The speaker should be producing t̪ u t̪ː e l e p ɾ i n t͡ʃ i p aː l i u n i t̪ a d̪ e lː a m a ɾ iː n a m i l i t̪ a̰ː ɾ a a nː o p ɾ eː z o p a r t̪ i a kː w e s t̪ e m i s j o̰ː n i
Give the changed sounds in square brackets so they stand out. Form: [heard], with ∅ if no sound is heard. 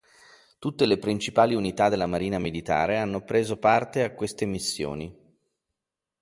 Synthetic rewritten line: t̪ u t̪ː e l e p ɾ i n t͡ʃ i p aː l i u n i t̪ a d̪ e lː a m a ɾ iː n a m i l i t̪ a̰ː ɾ [e] a nː o p ɾ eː z o p a r t̪ [e] a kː w e s t̪ e m i [sː] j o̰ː n i